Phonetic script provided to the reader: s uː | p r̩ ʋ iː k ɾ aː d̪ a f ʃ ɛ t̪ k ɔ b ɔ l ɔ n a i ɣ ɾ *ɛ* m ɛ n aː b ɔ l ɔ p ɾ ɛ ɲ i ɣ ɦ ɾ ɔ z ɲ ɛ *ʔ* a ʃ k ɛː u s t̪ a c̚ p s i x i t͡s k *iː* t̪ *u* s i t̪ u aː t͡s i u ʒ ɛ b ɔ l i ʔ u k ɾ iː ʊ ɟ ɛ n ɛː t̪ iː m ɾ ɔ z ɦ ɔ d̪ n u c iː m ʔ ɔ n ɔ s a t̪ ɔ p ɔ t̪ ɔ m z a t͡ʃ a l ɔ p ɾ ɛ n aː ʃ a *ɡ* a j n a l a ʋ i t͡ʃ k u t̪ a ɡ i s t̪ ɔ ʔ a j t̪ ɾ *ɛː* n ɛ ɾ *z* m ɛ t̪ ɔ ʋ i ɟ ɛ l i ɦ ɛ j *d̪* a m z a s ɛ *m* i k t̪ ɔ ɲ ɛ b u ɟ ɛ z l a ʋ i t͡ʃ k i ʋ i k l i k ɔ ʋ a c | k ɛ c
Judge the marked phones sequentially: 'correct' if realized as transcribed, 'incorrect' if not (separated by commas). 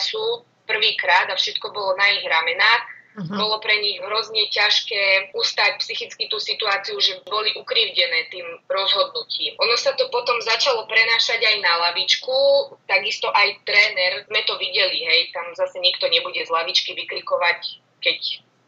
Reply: incorrect, incorrect, incorrect, incorrect, incorrect, correct, correct, incorrect, incorrect